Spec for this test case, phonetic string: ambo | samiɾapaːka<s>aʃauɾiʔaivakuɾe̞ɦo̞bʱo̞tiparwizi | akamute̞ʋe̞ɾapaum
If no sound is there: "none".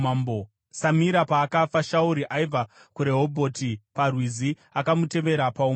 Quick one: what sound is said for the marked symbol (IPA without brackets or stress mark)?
f